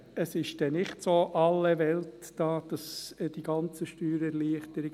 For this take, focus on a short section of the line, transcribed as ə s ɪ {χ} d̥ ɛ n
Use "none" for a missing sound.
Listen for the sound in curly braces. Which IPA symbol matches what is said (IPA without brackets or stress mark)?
ʃ